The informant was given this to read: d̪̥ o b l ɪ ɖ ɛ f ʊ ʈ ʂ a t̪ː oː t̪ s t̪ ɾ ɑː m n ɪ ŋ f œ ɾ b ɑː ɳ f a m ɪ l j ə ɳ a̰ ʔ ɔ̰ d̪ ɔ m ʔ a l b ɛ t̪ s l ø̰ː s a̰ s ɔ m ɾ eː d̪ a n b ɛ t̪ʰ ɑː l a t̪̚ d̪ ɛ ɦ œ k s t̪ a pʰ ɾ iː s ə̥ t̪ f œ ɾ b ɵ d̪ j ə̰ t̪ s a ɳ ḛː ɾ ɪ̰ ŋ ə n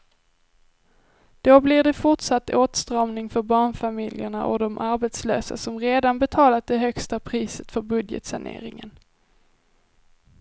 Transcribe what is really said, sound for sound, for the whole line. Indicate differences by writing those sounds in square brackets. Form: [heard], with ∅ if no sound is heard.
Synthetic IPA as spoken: d̪̥ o b l ɪ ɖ ɛ f ʊ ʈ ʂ a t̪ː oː t̪ s t̪ ɾ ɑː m n ɪ ŋ f œ ɾ b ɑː ɳ f a m ɪ l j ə ɳ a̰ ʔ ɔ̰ d̪ ɔ m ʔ a [ɾ] b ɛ t̪ s l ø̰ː s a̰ s ɔ m ɾ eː d̪ a n b ɛ t̪ʰ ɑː l a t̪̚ d̪ ɛ ɦ œ k s t̪ a pʰ ɾ iː s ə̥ t̪ f œ ɾ b ɵ d̪ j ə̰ t̪ s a ɳ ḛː ɾ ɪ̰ ŋ ə n

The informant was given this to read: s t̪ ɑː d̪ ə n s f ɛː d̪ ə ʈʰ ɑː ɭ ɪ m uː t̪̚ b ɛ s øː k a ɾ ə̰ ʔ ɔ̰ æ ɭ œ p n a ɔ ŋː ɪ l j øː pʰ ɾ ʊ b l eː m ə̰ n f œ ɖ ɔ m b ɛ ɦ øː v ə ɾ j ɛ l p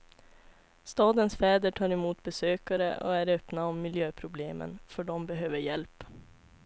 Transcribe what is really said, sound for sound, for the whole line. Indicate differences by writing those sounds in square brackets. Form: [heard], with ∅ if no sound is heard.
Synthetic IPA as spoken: s t̪ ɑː d̪ ə n s f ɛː d̪ ə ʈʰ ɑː [ɾ] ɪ m uː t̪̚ b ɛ s øː k a ɾ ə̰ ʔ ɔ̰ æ [ɾ] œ p n a ɔ [mː] ɪ l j øː pʰ ɾ ʊ b l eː m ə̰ n f œ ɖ ɔ m b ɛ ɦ øː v ə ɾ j ɛ l p

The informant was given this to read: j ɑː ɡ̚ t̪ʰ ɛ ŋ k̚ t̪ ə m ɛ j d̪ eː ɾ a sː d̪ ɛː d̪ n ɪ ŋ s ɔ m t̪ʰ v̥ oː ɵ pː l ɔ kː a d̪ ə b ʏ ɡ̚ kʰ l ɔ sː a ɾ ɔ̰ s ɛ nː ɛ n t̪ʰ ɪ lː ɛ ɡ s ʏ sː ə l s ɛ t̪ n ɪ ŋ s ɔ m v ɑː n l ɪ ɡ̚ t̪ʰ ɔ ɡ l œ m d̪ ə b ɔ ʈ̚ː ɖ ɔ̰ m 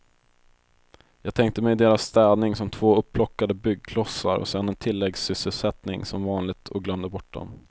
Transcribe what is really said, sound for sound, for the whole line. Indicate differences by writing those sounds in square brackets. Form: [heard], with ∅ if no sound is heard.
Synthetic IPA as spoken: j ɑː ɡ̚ t̪ʰ ɛ ŋ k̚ t̪ ə m ɛ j d̪ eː ɾ a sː [t̪] ɛː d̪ n ɪ ŋ s ɔ m t̪ʰ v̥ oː ɵ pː l ɔ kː a d̪ ə b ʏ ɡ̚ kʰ l ɔ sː a ɾ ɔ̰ s ɛ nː ɛ n t̪ʰ ɪ lː ɛ ɡ s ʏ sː ə l s ɛ t̪ n ɪ ŋ s ɔ m v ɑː n l ɪ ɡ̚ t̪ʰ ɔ ɡ l œ m d̪ ə b ɔ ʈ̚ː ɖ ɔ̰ m

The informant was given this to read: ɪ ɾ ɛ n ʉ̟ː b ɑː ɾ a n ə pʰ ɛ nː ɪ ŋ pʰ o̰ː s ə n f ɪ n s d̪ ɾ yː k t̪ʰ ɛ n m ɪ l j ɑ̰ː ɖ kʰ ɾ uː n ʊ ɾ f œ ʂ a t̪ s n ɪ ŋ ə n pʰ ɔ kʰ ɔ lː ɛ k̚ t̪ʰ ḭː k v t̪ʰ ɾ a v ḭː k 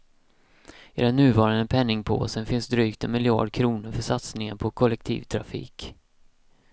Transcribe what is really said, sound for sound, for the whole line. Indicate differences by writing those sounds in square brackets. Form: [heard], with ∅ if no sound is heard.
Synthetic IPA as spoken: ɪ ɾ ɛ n ʉ̟ː [v] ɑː ɾ a n ə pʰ ɛ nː ɪ ŋ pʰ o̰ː s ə n f ɪ n s d̪ ɾ yː k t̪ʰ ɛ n m ɪ l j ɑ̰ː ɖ kʰ ɾ uː n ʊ ɾ f œ ʂ a t̪ s n ɪ ŋ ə n pʰ ɔ kʰ ɔ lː ɛ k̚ t̪ʰ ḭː [∅] v t̪ʰ ɾ a [f] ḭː k

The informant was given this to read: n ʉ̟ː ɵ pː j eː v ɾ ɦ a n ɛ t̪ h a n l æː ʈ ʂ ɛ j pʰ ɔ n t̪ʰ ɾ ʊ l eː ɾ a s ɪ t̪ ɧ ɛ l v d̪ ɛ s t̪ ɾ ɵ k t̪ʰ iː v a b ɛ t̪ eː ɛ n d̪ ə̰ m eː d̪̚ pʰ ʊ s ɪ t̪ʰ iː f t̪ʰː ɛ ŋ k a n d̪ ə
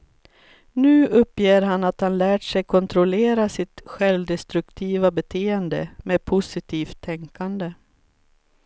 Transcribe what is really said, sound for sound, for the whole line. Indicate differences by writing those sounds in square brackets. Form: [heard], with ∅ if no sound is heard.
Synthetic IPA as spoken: n ʉ̟ː ɵ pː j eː [∅] ɾ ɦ a n [a] t̪ h a n l æː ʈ ʂ ɛ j [kʰ] ɔ n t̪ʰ ɾ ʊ l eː ɾ a s ɪ t̪ ɧ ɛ l v d̪ ɛ s t̪ ɾ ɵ k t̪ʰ iː v a b ɛ [t̪ʰ] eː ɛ n d̪ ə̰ m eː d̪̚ pʰ ʊ s ɪ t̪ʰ iː f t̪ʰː ɛ ŋ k a n d̪ ə

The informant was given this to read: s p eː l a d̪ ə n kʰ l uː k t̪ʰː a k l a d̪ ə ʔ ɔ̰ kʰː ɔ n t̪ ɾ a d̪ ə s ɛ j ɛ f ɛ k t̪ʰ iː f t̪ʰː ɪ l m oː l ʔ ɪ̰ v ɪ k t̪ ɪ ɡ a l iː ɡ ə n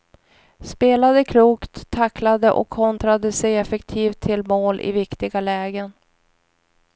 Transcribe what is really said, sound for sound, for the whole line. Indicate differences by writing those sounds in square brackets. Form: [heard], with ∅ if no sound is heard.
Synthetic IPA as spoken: s p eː l a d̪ ə [∅] kʰ l uː k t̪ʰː a k l a d̪ ə ʔ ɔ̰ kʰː ɔ n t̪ ɾ a d̪ ə s ɛ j ɛ f ɛ k t̪ʰ iː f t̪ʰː ɪ l m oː l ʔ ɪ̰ v ɪ k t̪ ɪ ɡ a l [ɛː] ɡ ə n

